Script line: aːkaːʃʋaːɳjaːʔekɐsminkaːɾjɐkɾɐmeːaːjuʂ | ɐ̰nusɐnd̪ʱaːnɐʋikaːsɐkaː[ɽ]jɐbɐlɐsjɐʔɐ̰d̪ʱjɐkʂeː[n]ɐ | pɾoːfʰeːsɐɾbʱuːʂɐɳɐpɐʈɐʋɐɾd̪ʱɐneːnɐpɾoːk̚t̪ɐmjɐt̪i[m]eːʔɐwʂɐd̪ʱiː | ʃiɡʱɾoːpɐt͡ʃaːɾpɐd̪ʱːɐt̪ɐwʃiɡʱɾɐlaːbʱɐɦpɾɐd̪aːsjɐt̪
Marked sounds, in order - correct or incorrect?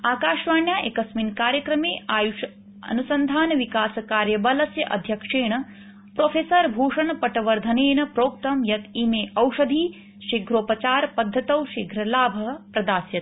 incorrect, incorrect, correct

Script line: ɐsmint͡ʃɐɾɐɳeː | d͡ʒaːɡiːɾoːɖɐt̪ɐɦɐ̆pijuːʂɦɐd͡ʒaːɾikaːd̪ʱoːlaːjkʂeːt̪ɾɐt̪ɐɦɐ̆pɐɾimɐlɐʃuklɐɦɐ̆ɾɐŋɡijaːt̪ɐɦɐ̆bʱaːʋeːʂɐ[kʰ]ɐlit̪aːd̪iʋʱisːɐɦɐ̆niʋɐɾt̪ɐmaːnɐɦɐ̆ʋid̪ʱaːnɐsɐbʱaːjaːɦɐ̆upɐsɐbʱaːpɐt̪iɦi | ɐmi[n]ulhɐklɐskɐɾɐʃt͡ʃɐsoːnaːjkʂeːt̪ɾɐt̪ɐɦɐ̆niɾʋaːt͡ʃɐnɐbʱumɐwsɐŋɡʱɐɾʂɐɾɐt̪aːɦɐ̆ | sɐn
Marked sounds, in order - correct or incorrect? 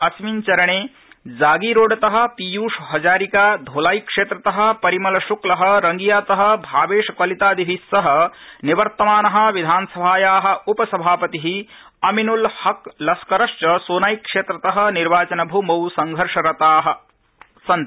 incorrect, correct

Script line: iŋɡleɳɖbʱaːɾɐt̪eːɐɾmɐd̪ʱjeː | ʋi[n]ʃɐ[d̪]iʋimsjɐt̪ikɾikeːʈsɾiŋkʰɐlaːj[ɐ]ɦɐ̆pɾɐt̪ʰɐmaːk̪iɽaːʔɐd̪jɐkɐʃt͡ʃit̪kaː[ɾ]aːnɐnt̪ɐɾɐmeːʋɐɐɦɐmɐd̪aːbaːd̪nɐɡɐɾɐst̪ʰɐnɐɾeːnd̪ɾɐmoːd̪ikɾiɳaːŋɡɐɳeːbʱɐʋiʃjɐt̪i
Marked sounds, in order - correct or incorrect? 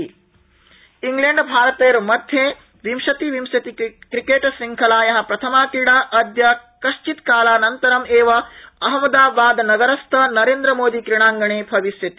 incorrect, incorrect, correct, incorrect

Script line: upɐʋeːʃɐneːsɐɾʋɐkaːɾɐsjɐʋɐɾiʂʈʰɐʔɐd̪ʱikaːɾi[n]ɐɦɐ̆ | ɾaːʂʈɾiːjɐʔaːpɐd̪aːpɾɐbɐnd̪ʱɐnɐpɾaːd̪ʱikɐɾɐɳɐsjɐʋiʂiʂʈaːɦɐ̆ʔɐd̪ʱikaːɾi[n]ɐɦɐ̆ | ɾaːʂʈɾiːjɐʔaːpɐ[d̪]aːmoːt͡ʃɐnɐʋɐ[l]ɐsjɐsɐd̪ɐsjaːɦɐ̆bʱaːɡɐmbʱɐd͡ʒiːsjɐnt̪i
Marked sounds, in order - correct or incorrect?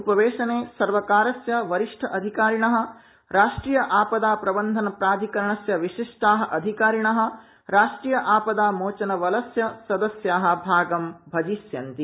incorrect, incorrect, correct, correct

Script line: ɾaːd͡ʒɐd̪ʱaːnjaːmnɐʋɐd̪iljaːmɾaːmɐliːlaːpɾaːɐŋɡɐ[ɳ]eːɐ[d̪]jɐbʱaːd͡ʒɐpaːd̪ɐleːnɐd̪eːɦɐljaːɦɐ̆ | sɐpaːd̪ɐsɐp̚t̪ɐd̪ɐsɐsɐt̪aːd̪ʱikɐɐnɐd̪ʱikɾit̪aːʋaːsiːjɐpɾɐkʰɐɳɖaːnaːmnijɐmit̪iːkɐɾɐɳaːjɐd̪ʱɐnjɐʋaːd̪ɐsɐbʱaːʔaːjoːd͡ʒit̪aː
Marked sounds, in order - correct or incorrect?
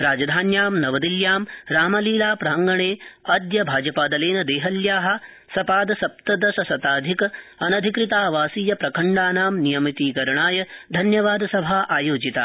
correct, correct

